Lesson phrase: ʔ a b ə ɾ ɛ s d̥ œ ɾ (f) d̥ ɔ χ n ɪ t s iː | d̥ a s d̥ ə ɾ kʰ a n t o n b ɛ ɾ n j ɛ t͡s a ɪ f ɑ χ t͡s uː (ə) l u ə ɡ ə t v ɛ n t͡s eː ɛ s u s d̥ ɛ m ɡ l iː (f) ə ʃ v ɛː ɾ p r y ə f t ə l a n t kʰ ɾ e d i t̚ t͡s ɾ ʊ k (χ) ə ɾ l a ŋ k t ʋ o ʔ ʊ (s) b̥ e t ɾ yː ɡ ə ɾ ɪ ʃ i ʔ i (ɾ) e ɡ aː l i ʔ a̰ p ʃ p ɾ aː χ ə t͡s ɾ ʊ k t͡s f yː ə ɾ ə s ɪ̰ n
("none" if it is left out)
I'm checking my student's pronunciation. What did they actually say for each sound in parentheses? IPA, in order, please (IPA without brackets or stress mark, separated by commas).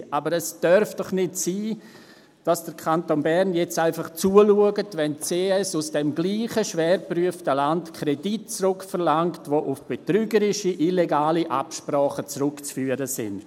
f, ə, χ, f, f, l